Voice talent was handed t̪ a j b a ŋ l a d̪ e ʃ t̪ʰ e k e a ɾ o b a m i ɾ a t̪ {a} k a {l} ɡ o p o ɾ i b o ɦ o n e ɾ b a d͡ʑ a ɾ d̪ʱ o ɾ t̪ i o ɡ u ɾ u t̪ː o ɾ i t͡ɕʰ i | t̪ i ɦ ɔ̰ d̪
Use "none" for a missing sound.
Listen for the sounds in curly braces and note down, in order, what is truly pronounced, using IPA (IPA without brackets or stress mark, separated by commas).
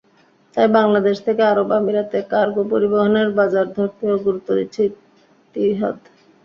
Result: e, ɾ